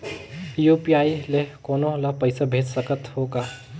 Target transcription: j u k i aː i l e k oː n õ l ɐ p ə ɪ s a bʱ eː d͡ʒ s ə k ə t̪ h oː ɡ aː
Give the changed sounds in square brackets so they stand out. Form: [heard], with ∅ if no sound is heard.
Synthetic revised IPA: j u [p] i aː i l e k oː n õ l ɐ p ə ɪ s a bʱ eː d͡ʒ s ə k ə t̪ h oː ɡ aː